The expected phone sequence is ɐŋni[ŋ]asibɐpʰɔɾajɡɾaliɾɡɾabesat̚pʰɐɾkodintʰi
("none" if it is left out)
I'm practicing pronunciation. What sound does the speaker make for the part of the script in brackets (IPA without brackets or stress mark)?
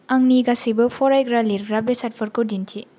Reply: ɡ